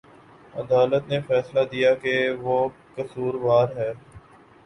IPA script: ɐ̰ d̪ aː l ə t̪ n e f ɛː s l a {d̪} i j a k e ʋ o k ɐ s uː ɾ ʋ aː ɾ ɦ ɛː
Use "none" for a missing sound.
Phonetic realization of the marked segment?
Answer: d̪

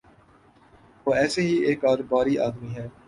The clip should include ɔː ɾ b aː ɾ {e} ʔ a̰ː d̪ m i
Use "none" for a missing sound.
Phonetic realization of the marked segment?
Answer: i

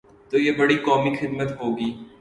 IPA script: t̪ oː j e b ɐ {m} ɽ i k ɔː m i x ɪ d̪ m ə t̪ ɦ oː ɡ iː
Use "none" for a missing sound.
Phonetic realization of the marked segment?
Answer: none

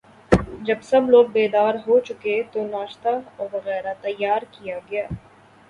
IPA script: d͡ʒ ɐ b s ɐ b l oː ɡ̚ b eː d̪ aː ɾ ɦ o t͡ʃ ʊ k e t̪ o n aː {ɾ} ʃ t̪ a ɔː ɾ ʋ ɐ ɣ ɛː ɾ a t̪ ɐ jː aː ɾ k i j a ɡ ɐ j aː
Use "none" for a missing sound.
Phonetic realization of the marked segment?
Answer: none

